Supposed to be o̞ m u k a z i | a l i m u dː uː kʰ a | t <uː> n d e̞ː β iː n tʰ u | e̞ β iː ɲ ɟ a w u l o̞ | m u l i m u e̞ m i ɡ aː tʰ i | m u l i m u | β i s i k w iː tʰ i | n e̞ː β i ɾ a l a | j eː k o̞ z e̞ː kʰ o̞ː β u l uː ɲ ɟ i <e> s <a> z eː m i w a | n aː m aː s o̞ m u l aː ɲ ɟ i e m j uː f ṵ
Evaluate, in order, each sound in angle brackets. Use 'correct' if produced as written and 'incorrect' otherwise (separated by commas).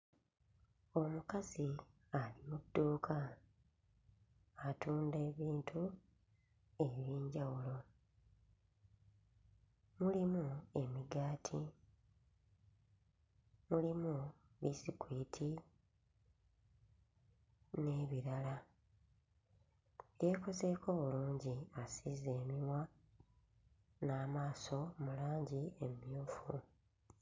correct, incorrect, incorrect